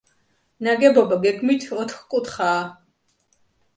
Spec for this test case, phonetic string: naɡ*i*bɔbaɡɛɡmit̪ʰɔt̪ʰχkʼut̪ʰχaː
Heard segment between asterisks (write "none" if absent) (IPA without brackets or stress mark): ɛ